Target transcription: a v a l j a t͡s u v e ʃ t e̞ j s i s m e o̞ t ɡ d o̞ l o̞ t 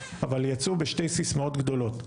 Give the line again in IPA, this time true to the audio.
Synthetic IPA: a v a l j a t͡s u b e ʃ t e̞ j s i s m a o̞ t ɡ d o̞ l o̞ t